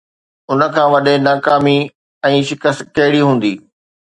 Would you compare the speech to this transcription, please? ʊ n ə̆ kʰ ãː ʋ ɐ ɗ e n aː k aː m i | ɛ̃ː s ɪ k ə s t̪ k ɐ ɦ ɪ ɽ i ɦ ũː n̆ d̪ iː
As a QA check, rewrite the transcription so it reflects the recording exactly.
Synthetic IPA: ʊ n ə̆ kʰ ãː ʋ ɐ ɗ e n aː k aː m i | ɛ̃ː ʃ ɪ k ə s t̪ k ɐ ɦ ɪ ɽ i ɦ ũː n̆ d̪ iː